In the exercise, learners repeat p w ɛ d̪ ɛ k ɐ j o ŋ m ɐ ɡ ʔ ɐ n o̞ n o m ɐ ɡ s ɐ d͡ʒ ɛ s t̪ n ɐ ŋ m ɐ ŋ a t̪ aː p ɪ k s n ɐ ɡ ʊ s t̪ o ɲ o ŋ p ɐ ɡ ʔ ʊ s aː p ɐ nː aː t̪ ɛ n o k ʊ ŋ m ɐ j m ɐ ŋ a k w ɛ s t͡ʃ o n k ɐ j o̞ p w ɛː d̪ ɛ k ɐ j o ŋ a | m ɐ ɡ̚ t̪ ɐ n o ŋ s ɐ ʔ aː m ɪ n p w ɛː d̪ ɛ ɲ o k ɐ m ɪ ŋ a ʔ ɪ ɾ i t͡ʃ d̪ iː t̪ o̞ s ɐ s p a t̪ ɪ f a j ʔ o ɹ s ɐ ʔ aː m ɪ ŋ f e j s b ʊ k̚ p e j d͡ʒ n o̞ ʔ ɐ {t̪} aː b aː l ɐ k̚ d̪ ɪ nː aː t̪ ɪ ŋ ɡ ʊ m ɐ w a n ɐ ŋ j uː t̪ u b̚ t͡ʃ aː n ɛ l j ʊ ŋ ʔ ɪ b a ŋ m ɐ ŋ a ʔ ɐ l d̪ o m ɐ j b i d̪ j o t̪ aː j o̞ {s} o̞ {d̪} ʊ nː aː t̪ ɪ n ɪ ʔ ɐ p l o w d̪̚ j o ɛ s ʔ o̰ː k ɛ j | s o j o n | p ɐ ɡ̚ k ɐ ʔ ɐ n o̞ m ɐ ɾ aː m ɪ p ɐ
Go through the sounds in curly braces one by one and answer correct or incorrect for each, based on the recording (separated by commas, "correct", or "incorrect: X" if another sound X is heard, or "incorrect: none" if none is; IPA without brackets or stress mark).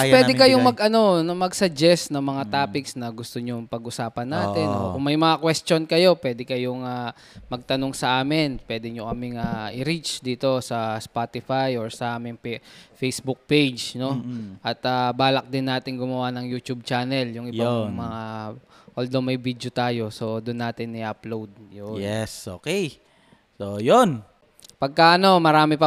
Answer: correct, correct, correct